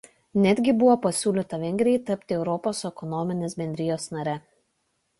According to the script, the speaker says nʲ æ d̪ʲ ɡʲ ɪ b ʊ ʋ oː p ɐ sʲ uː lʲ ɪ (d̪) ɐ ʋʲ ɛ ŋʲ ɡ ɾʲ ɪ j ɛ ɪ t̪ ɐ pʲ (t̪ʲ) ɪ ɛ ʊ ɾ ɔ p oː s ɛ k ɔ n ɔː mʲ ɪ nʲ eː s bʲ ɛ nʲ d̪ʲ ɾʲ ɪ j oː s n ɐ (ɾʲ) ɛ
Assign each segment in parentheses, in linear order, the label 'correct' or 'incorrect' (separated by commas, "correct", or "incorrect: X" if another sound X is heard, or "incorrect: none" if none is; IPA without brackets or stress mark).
incorrect: t̪, correct, correct